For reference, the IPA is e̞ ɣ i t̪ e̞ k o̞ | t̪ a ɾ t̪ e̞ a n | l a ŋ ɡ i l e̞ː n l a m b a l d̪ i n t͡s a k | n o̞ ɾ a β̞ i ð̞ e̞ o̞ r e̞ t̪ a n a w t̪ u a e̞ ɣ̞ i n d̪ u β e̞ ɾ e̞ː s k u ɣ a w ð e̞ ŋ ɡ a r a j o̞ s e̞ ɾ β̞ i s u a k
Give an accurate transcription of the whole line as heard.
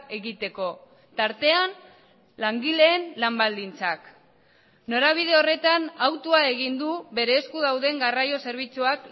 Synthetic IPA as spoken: e̞ ɣ i t̪ e̞ k o̞ | t̪ a ɾ t̪ e̞ a n | l a ŋ ɡ i l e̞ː n l a m b a l d̪ i n t͡s a k | n o̞ ɾ a β̞ i ð̞ e̞ o̞ r e̞ t̪ a n a w t̪ u a e̞ ɣ̞ i n d̪ u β e̞ ɾ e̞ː s k u ð a w ð e̞ ŋ ɡ a r a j o̞ s e̞ ɾ β̞ i t͡s u a k